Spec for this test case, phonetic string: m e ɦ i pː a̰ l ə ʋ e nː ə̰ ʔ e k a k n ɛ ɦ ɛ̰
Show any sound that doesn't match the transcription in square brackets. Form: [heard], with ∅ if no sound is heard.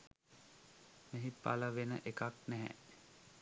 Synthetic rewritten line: m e ɦ i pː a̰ l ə ʋ e [n] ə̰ ʔ e k a k n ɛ ɦ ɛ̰